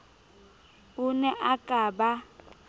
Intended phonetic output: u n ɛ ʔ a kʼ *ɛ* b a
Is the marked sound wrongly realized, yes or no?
yes